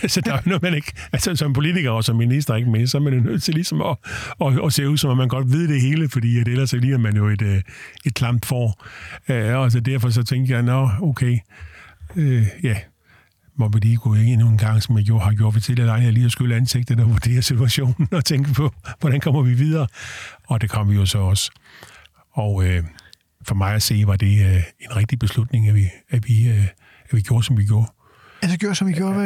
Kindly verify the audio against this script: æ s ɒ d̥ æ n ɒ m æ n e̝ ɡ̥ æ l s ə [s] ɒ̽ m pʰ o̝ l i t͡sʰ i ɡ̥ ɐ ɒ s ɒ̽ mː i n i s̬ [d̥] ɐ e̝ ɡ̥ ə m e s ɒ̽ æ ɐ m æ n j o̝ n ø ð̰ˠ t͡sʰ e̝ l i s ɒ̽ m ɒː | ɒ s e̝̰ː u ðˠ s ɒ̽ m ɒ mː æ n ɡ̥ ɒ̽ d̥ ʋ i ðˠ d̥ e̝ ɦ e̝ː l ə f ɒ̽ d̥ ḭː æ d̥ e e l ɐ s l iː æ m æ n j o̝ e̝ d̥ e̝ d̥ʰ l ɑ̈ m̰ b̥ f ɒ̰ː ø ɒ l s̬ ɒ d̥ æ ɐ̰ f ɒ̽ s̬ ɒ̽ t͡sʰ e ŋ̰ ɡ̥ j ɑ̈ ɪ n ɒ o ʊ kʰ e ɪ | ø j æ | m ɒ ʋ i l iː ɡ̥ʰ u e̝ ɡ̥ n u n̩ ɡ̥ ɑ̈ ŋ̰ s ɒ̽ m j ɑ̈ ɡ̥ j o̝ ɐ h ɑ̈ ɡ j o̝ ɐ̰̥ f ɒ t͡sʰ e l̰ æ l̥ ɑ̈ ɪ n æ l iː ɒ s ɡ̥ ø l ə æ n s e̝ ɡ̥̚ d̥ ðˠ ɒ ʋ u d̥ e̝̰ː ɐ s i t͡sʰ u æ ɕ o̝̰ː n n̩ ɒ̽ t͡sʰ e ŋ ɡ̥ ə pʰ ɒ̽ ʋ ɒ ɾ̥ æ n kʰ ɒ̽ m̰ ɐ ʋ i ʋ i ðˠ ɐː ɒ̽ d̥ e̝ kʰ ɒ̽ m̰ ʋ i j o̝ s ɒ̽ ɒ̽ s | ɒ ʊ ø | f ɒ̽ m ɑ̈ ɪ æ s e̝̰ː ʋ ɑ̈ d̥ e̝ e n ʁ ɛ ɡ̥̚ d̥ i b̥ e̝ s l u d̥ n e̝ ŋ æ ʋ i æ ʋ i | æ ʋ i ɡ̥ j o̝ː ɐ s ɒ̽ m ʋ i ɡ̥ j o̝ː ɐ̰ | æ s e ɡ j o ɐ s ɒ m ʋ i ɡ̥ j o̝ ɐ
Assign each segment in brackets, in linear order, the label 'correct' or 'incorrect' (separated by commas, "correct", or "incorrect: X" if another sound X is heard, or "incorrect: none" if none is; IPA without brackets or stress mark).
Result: correct, correct